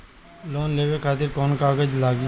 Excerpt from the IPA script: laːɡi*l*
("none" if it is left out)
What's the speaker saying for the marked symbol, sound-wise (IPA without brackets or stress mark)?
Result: none